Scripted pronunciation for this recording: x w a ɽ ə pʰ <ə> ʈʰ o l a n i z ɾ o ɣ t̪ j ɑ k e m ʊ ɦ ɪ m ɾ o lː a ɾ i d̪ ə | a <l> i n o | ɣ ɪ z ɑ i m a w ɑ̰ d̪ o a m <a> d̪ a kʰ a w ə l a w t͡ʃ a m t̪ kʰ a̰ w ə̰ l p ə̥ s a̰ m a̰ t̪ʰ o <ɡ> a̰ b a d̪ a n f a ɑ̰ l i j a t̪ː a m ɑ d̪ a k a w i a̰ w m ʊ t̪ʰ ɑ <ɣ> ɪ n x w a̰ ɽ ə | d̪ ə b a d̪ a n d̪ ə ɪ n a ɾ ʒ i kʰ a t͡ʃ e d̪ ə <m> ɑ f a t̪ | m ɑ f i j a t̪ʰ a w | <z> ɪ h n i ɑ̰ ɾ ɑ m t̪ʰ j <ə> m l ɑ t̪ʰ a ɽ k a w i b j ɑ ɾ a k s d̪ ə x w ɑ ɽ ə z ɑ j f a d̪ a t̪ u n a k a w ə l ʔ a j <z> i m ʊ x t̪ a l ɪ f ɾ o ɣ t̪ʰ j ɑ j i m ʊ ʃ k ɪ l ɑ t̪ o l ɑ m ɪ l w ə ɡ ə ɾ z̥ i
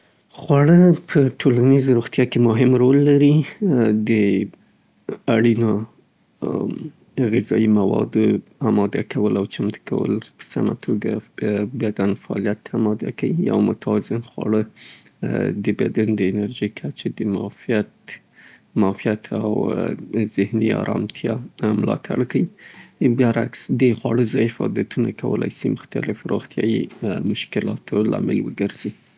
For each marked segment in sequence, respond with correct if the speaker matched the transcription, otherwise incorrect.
correct, incorrect: ɽ, incorrect: ɑ, correct, incorrect: z, correct, correct, incorrect: ɑ, incorrect: s

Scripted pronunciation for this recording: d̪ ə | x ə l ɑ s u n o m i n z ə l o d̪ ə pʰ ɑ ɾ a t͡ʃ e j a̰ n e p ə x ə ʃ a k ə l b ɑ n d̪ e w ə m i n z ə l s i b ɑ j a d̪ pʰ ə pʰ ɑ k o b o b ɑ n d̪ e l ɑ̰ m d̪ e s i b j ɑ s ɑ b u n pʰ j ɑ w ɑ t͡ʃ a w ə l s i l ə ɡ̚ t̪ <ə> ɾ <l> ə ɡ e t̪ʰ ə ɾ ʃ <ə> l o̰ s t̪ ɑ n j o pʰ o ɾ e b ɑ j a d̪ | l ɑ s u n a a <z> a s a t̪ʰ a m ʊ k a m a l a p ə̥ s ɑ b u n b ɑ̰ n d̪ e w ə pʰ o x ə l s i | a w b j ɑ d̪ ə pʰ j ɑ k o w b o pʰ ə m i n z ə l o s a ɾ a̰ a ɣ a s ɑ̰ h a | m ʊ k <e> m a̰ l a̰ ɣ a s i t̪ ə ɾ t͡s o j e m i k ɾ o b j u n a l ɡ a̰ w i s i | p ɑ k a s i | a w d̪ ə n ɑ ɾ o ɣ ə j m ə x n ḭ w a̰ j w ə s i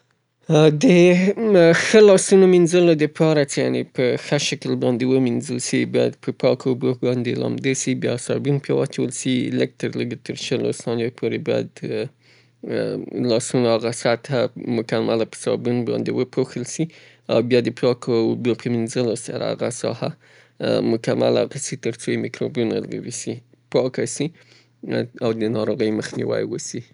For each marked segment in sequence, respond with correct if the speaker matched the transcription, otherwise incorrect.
correct, correct, correct, incorrect: ɣ, incorrect: a

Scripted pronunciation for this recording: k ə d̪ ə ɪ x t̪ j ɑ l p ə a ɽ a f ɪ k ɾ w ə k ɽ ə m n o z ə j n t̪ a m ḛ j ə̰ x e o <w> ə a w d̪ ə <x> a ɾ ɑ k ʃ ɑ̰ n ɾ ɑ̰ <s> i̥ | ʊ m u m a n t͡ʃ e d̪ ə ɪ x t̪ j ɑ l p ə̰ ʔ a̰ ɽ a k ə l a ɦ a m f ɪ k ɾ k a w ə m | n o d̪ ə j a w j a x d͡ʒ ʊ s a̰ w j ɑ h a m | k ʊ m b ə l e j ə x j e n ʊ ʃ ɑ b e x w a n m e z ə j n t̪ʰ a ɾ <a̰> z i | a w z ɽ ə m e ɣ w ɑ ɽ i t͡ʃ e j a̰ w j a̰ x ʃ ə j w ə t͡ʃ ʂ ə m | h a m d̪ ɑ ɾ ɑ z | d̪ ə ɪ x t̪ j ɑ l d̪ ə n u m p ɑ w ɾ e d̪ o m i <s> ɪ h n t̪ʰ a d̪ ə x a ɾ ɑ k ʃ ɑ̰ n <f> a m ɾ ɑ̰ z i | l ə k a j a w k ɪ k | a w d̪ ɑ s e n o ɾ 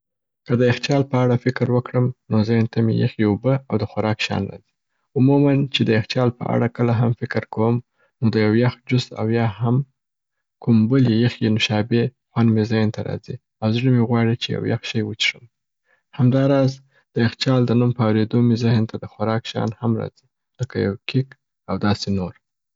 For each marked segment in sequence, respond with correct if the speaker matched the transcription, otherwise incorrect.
incorrect: b, correct, incorrect: z, incorrect: ɑ̰, incorrect: z, incorrect: h

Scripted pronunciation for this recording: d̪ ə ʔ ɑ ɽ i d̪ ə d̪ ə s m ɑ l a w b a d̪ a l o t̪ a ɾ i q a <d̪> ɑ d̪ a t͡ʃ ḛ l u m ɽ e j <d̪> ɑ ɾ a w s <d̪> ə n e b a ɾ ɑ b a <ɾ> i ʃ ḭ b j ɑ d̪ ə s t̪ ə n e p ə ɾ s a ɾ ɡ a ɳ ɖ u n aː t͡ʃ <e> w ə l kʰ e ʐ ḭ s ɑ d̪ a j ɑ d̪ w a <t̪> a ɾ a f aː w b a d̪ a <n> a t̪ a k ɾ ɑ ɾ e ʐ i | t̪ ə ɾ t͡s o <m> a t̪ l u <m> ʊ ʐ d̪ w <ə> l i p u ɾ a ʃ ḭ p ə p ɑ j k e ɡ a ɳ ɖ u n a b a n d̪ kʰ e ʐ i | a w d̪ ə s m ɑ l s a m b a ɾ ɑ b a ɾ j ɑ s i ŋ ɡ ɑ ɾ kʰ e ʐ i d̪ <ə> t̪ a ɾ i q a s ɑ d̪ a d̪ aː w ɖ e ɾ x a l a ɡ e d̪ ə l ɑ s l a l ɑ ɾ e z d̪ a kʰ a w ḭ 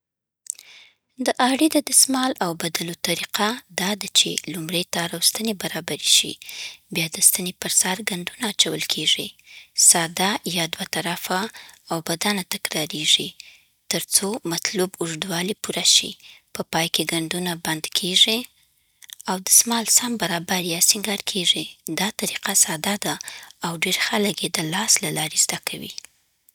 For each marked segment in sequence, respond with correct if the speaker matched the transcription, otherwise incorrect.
correct, incorrect: t̪, incorrect: t̪, correct, incorrect: a, correct, correct, correct, incorrect: b, incorrect: ɑ, incorrect: ɑ

